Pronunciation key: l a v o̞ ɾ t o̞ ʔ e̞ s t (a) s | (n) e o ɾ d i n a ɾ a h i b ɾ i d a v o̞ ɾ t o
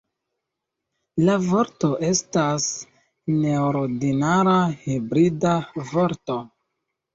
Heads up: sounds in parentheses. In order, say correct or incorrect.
correct, correct

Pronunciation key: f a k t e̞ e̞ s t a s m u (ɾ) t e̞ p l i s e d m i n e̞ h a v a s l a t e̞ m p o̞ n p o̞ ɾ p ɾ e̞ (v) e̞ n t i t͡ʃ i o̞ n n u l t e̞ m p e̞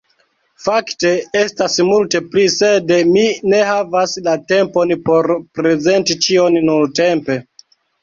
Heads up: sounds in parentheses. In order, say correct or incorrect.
incorrect: l, incorrect: z

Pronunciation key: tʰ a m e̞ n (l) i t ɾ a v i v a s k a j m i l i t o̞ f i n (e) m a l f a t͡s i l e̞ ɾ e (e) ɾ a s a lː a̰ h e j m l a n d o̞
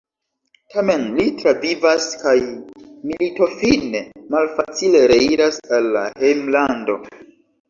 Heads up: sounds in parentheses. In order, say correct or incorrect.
correct, correct, incorrect: i

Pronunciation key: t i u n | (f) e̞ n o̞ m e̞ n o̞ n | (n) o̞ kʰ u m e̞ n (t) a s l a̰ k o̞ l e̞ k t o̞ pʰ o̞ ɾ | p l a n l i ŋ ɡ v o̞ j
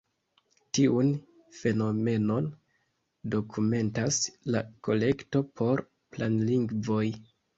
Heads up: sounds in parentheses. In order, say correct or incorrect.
correct, incorrect: d, correct

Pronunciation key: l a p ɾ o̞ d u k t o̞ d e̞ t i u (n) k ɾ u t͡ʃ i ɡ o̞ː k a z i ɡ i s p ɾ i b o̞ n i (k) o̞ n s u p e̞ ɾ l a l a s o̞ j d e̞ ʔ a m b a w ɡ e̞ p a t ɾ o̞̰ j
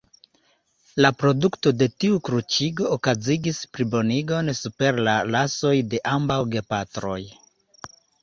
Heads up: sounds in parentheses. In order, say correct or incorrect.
incorrect: none, incorrect: ɡ

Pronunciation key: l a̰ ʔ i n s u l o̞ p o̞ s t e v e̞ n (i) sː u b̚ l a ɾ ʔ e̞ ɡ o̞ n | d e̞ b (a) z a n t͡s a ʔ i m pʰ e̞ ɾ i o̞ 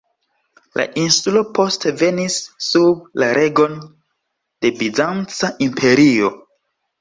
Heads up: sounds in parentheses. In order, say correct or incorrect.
correct, incorrect: i

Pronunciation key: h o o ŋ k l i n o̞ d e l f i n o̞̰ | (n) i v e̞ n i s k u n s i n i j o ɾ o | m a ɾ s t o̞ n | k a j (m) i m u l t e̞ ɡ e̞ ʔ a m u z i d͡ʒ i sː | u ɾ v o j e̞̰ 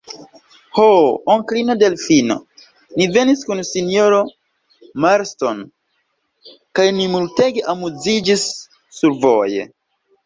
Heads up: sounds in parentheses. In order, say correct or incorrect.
correct, incorrect: n

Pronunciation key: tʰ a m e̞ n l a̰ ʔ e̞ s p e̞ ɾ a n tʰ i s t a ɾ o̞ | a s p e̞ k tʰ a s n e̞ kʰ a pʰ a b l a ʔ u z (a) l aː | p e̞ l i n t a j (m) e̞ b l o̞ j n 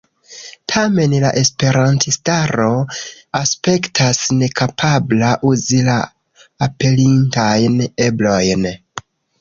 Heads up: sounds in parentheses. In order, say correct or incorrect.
incorrect: i, incorrect: n

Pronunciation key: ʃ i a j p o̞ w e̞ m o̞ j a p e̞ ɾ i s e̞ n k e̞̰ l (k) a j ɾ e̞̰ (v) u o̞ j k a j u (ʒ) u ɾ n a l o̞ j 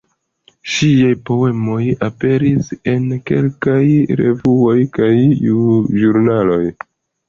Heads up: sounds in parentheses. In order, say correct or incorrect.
correct, correct, correct

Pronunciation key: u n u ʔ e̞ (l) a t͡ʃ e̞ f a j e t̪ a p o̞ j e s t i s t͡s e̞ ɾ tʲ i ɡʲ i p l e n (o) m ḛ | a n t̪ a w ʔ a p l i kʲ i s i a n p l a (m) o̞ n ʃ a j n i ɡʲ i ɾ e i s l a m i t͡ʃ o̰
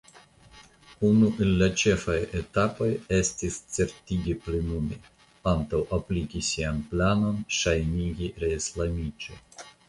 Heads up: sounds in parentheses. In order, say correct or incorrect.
incorrect: lː, incorrect: u, incorrect: n

